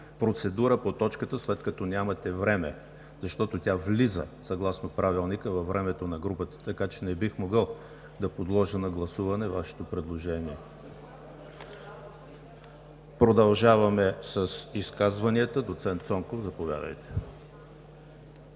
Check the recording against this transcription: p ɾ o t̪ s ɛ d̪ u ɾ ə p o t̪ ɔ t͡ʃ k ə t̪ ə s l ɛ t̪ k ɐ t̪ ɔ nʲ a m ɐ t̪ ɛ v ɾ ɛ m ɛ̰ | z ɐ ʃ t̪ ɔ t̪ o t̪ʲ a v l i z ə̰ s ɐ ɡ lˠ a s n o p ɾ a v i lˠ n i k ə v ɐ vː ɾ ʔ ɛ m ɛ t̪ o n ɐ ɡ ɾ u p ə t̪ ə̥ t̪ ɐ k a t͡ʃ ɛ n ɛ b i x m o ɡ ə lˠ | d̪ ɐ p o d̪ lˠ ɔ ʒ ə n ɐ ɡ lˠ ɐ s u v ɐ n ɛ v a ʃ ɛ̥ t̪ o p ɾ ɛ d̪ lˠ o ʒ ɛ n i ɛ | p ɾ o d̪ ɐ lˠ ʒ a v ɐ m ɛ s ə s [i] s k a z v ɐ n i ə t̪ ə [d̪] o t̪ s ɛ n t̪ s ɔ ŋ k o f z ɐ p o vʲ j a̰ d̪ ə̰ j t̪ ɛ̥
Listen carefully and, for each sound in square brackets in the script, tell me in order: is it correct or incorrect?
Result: correct, correct

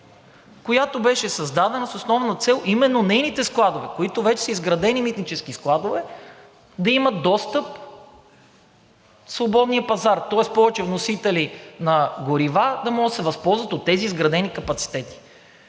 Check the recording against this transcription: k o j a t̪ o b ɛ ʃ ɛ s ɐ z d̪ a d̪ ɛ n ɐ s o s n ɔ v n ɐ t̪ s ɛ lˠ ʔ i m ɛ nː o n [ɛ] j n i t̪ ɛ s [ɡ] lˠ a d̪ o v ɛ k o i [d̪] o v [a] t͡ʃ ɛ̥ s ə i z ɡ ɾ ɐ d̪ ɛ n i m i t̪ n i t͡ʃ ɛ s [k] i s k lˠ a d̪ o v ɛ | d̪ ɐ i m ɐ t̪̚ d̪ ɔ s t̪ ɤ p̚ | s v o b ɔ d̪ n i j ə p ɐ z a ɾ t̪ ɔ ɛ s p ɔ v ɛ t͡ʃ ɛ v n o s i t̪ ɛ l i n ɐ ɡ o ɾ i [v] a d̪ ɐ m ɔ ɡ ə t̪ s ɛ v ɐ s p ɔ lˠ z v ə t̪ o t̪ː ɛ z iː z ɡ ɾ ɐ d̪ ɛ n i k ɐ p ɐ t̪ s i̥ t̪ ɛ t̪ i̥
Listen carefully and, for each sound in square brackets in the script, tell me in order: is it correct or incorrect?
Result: correct, incorrect, incorrect, incorrect, correct, correct

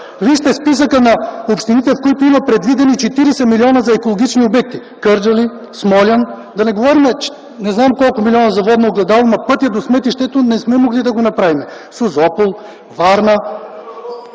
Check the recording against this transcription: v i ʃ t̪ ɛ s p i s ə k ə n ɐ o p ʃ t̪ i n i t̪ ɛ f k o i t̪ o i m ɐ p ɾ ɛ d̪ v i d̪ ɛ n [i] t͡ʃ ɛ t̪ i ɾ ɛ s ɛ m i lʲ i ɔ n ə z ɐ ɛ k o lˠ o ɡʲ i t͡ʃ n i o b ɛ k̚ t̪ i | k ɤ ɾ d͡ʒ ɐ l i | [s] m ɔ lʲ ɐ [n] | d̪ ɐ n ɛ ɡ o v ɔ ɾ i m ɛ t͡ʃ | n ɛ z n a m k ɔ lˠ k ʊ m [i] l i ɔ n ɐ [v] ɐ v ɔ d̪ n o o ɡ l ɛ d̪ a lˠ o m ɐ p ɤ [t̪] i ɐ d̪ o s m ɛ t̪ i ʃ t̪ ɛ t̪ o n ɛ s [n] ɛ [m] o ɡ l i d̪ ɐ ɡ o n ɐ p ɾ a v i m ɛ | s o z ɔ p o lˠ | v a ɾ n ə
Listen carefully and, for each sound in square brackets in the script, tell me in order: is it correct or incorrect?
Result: correct, correct, correct, correct, incorrect, correct, incorrect, correct

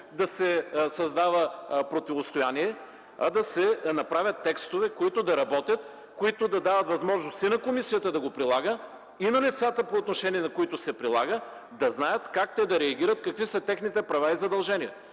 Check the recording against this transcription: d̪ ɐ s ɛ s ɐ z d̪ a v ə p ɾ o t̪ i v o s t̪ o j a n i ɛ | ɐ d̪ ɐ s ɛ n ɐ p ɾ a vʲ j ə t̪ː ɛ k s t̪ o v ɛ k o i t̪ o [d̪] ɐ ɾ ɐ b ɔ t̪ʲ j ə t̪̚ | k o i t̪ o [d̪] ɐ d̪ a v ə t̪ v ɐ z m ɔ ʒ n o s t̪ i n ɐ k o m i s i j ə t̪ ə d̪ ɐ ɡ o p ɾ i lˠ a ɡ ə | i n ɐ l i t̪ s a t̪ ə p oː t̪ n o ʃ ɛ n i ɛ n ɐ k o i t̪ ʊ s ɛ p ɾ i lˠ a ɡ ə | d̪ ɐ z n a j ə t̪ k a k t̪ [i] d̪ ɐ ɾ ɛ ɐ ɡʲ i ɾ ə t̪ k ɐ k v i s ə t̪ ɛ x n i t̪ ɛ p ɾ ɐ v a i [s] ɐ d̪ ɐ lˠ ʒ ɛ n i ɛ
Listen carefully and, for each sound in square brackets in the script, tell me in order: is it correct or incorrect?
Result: correct, correct, incorrect, incorrect

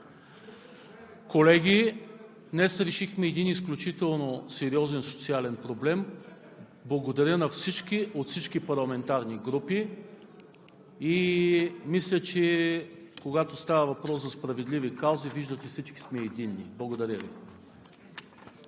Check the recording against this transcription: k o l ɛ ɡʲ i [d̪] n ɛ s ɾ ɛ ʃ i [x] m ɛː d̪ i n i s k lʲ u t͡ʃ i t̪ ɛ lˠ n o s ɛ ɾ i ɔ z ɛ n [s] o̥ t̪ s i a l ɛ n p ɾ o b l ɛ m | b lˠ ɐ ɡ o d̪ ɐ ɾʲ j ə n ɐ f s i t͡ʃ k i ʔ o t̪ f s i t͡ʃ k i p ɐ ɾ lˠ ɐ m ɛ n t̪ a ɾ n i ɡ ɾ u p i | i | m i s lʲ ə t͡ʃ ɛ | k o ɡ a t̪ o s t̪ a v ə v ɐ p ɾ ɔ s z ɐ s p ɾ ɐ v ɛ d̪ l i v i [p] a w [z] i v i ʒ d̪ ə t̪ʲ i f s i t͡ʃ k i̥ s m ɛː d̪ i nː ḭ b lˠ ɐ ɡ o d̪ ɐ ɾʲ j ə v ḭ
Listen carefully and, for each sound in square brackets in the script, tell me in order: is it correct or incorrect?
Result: correct, correct, correct, incorrect, correct

